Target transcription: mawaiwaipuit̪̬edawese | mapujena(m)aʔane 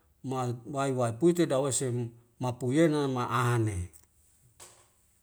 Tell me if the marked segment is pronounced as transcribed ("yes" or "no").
yes